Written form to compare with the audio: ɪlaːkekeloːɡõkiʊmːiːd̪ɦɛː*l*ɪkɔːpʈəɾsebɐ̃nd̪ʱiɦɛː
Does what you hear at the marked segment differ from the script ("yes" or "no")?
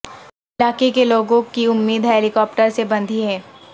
no